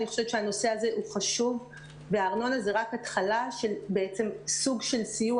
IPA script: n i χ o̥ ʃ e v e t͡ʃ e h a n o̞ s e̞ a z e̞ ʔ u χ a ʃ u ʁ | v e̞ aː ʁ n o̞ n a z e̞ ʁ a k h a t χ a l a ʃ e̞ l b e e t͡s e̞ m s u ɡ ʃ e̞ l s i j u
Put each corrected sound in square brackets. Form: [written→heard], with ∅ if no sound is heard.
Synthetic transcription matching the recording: n i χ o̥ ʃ e v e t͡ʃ e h a n o̞ s e̞ a z e̞ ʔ u χ a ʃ u [ʁ→v] | v e̞ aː ʁ n o̞ n a z e̞ ʁ a k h a t χ a l a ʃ e̞ l b e e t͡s e̞ m s u ɡ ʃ e̞ l s i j u